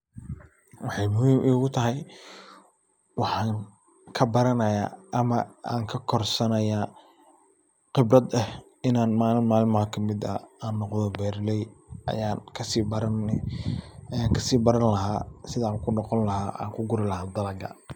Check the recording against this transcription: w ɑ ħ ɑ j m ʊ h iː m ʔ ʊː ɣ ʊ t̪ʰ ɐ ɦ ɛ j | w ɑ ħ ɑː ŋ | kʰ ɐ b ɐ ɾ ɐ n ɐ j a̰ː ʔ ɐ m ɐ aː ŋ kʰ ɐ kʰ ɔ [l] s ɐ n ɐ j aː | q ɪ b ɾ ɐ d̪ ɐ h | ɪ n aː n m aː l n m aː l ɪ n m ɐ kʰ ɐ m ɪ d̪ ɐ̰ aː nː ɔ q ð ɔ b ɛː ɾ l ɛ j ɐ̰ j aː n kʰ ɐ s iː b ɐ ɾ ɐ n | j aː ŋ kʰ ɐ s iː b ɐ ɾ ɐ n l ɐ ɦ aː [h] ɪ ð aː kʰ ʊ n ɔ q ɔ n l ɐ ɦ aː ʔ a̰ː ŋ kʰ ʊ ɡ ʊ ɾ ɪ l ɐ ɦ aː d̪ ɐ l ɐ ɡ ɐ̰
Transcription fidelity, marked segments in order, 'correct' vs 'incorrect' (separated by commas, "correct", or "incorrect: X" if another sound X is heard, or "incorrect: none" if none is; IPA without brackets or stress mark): incorrect: r, incorrect: s